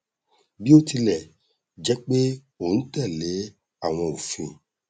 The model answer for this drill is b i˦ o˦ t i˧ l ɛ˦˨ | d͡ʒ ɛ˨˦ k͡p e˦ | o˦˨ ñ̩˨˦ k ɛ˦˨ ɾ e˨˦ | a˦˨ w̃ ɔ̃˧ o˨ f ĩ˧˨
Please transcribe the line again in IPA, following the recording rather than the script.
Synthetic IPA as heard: b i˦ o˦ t i˧ l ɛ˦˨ | d͡ʒ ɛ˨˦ k͡p e˦ | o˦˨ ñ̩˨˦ t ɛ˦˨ l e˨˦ | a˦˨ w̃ ɔ̃˧ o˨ f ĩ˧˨